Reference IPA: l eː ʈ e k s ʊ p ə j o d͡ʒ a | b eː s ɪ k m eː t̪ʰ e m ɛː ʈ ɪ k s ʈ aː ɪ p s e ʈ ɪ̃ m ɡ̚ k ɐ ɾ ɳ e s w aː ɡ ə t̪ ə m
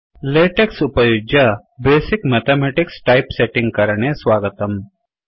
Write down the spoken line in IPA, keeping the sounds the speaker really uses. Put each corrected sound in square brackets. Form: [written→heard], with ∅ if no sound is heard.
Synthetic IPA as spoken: l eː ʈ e k s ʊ p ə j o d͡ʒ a | b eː s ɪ k m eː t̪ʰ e m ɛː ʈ ɪ k s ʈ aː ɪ p s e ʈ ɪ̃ [m→ŋ] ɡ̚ k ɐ ɾ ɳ e s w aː ɡ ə t̪ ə m

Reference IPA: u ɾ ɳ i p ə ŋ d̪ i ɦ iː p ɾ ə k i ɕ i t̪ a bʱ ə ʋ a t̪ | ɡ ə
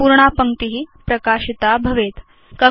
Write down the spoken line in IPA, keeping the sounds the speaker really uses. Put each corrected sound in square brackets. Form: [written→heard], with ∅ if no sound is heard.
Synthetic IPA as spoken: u ɾ ɳ [i→a] p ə ŋ [d̪→t̪] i ɦ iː p ɾ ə k [i→a] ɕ i t̪ a bʱ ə ʋ [a→e] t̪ | [ɡ→k] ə

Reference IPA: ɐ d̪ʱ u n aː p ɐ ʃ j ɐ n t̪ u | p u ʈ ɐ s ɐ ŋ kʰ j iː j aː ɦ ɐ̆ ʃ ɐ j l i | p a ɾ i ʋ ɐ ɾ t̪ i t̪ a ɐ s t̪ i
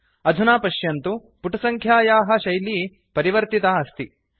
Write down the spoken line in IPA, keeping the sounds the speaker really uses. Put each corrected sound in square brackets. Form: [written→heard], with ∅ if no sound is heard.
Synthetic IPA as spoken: ɐ d̪ʱ u n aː p ɐ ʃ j ɐ n t̪ u | p u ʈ ɐ s ɐ ŋ kʰ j [iː→aː] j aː ɦ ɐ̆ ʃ ɐ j l i | p [a→ɐ] ɾ i ʋ ɐ ɾ t̪ i t̪ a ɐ s t̪ i

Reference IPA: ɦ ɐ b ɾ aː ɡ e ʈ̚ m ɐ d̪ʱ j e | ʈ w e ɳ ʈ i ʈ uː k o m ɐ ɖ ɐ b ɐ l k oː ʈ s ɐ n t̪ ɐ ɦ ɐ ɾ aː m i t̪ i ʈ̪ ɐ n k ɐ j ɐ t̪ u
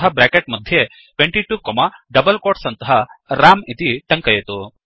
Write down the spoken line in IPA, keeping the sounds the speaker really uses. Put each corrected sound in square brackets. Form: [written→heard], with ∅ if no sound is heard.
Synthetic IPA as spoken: ɦ ɐ b ɾ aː [ɡ→k] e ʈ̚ m ɐ d̪ʱ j e | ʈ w e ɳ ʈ i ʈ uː k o m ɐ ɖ ɐ b ɐ l k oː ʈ s ɐ n t̪ ɐ ɦ ɐ ɾ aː m i t̪ i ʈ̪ ɐ [n→ŋ] k ɐ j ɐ t̪ u

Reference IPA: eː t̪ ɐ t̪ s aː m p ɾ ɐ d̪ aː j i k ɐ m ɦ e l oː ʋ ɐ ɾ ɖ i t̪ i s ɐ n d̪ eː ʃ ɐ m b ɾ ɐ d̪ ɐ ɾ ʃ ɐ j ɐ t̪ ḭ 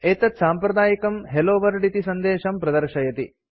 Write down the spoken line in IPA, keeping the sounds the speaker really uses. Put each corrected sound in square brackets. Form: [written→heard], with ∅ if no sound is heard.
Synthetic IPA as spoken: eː t̪ ɐ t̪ s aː m p ɾ ɐ d̪ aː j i k ɐ m ɦ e l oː ʋ ɐ ɾ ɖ i t̪ i s ɐ n d̪ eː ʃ ɐ m [b→p] ɾ ɐ d̪ ɐ ɾ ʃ ɐ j ɐ t̪ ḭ

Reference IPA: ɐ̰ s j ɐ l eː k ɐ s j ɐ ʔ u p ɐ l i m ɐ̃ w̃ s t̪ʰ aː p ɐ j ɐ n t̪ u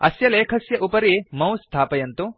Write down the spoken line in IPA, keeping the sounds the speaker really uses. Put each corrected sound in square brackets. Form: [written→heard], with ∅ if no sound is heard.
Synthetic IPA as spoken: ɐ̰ s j ɐ l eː [k→kʰ] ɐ s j ɐ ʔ u p ɐ [l→ɾ] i m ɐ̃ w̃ s t̪ʰ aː p ɐ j ɐ n t̪ u

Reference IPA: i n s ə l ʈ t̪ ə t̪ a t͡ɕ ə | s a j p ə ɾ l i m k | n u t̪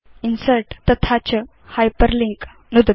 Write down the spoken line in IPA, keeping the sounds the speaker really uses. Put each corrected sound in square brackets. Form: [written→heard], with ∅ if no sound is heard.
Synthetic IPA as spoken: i n s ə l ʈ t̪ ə [t̪→t̪ʰ] a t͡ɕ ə | [s→h] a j p ə ɾ l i [m→ŋ] k | n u [t̪→d̪]

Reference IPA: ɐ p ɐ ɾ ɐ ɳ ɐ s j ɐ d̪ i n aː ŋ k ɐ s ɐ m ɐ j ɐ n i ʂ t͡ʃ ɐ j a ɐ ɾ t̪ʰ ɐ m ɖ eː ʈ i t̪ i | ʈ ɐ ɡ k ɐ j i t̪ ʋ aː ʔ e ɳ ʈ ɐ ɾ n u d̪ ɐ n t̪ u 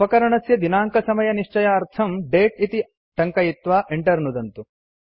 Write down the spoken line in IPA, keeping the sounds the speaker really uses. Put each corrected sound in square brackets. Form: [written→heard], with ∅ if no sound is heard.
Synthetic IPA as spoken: ɐ [p→k] ɐ ɾ ɐ ɳ ɐ s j ɐ d̪ i n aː ŋ k ɐ s ɐ m ɐ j ɐ n i ʂ t͡ʃ ɐ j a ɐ ɾ t̪ʰ ɐ m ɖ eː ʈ i t̪ i | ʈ ɐ [ɡ→ŋ] k ɐ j i t̪ ʋ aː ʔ e ɳ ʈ ɐ ɾ n u d̪ ɐ n t̪ u

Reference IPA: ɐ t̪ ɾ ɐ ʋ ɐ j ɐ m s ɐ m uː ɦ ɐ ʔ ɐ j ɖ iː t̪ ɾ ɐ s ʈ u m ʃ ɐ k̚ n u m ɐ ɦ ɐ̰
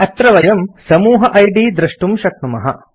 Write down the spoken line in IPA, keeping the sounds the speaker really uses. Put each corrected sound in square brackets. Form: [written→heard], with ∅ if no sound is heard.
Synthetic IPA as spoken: ɐ t̪ ɾ ɐ ʋ ɐ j ɐ m s ɐ m uː ɦ ɐ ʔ ɐ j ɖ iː [t̪→d̪] ɾ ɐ [s→ʂ] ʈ u m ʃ ɐ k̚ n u m ɐ ɦ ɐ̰

